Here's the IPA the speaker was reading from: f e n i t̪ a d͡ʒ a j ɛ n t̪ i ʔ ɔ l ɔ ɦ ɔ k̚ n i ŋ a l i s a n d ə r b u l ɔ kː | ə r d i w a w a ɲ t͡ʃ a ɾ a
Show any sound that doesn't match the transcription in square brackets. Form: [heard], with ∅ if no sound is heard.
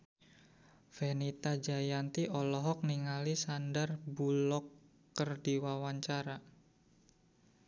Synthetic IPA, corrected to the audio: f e n i t̪ a d͡ʒ a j [a] n t̪ i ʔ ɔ l ɔ ɦ ɔ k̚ n i ŋ a l i s a n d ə r b u l ɔ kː | ə r d i w a w a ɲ t͡ʃ a ɾ a